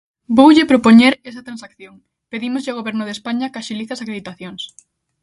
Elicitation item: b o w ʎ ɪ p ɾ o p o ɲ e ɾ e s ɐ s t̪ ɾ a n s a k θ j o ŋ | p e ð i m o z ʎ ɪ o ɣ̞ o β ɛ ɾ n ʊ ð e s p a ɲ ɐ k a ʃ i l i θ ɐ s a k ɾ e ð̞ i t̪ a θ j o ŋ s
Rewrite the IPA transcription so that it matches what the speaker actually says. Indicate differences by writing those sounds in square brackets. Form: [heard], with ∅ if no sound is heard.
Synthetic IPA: b o w ʎ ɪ p ɾ o p o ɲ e ɾ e s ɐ [∅] t̪ ɾ a n s a k θ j o ŋ | p e ð i m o z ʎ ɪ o ɣ̞ o β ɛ ɾ n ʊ ð e s p a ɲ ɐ k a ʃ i l i θ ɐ s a k ɾ e ð̞ i t̪ a θ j o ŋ s